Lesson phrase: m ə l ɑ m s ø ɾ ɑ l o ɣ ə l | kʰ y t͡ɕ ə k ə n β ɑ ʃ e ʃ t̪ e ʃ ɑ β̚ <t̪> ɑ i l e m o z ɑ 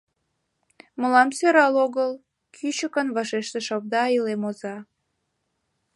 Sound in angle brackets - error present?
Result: yes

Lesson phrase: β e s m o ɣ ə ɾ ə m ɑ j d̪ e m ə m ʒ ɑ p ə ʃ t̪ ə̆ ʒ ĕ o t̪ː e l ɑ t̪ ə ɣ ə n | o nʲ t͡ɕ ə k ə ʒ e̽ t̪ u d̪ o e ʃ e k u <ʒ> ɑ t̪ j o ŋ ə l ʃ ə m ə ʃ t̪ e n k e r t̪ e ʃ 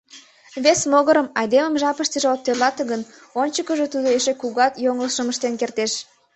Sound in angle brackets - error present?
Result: yes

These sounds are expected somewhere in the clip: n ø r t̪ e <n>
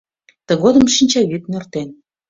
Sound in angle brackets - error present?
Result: no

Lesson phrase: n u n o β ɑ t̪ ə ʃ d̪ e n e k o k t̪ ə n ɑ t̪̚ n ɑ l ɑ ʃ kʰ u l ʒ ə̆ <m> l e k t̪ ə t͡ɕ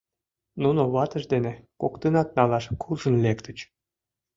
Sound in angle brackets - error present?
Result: yes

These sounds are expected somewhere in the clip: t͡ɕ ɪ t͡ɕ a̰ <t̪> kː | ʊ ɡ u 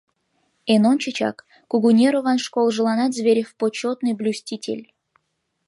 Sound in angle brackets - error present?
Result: yes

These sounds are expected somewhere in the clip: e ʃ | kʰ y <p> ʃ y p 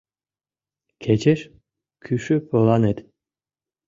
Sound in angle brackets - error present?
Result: yes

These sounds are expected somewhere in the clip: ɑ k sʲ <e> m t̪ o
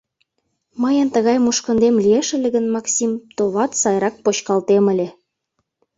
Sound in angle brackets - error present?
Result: yes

